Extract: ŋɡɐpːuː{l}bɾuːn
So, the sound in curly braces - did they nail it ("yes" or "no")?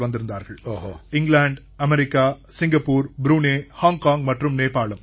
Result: no